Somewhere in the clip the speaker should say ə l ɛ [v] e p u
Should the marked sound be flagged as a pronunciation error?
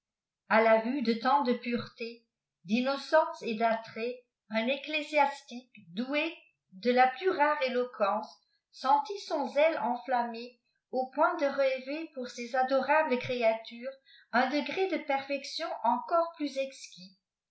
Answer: no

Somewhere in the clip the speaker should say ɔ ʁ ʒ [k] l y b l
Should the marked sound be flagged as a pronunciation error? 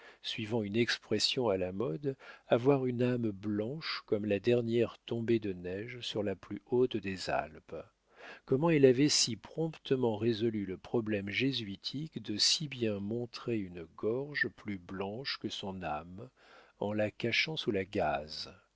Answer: yes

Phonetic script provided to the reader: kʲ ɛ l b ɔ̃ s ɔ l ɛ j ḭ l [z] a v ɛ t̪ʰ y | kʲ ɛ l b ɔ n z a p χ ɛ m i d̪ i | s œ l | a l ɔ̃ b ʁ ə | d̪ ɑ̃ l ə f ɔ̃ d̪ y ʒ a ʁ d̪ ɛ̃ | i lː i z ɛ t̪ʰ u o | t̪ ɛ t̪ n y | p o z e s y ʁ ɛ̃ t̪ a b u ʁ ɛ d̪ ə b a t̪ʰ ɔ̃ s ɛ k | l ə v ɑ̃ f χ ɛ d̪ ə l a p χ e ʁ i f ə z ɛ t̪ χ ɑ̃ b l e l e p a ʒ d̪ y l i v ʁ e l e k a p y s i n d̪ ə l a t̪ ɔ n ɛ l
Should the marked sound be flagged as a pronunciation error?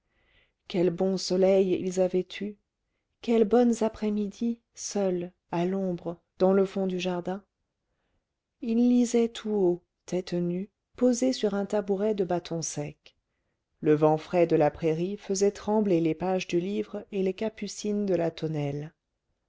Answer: no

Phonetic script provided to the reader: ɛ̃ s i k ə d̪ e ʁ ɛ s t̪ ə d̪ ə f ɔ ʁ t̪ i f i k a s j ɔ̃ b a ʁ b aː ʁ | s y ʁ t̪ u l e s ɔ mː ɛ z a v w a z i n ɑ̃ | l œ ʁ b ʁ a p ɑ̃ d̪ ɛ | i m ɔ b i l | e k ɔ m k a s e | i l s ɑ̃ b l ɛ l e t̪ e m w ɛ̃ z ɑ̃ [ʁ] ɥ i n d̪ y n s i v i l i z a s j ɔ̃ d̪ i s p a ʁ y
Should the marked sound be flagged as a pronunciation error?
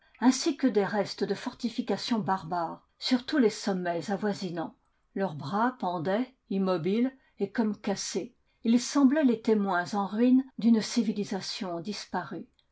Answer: no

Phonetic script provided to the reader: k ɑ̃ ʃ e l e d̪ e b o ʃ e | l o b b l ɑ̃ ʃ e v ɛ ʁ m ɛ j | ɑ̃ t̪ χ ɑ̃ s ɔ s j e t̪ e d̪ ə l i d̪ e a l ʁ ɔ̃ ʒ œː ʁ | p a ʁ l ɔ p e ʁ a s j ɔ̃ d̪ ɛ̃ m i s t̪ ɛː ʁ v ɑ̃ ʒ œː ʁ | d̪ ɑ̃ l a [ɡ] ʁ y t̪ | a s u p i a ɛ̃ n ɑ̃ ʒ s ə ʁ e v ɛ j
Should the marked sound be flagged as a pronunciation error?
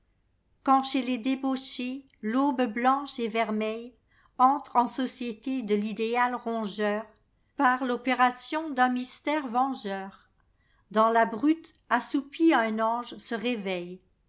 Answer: yes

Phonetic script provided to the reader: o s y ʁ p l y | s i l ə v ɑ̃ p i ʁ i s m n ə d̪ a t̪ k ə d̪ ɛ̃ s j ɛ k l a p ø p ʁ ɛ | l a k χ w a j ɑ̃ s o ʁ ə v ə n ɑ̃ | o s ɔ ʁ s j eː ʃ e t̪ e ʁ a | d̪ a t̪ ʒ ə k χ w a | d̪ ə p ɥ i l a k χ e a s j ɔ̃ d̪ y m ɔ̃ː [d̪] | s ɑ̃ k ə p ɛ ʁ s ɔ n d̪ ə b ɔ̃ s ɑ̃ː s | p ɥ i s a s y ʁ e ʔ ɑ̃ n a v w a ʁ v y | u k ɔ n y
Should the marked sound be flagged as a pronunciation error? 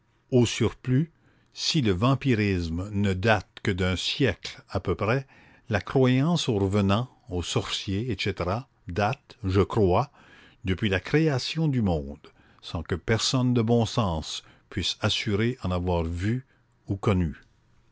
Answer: no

